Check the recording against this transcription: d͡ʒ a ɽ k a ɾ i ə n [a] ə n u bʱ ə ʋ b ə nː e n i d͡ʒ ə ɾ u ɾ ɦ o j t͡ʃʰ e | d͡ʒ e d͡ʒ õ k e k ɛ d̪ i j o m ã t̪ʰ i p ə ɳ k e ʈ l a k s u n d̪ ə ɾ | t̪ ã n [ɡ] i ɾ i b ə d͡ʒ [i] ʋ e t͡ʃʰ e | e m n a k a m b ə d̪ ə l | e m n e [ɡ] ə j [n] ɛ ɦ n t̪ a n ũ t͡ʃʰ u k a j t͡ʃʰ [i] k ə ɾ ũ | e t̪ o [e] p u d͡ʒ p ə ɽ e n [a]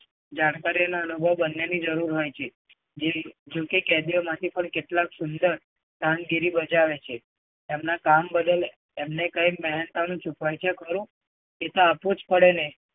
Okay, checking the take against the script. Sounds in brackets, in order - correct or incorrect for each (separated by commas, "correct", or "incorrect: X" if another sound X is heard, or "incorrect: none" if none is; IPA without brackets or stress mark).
correct, correct, incorrect: a, incorrect: k, incorrect: m, incorrect: e, incorrect: a, incorrect: e